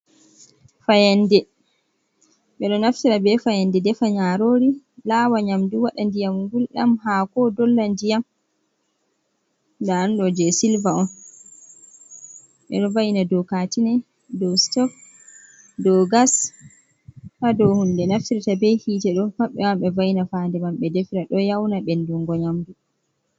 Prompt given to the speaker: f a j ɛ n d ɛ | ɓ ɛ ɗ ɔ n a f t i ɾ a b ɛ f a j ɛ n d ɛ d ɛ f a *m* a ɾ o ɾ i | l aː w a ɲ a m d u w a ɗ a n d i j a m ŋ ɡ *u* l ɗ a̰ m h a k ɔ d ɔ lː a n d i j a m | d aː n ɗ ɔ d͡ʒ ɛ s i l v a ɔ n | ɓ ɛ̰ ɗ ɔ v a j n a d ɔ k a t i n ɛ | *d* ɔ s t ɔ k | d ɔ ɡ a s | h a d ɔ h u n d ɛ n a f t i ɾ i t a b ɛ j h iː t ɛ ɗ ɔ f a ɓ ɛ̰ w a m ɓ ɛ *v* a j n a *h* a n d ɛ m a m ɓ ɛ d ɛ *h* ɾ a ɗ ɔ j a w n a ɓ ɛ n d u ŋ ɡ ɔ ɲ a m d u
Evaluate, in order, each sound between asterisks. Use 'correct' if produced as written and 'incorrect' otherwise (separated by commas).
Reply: incorrect, correct, correct, correct, incorrect, incorrect